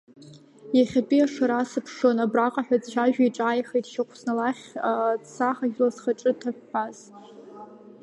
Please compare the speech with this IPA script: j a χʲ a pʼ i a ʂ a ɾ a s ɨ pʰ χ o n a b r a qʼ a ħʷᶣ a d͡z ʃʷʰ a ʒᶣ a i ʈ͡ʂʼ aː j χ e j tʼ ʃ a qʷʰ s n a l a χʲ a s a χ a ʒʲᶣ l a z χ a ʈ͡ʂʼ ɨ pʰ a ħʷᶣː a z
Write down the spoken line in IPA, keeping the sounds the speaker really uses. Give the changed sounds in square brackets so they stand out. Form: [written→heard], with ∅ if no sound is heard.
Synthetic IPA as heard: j a χʲ a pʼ i a ʂ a ɾ a s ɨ pʰ [χ→ʂ] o n a b r a qʼ a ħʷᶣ a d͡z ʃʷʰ a ʒᶣ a i ʈ͡ʂʼ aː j χ e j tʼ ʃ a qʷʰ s n a l a χʲ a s a χ a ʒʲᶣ l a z χ a ʈ͡ʂʼ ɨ [pʰ→tʰ] a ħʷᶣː a z